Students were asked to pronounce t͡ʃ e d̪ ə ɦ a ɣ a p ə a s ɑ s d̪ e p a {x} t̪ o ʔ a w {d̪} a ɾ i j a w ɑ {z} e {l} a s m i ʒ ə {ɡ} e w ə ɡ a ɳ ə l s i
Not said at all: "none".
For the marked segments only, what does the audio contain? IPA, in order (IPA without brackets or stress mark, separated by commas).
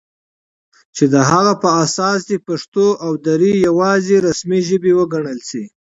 ʂ, d̪, z, ɾ, b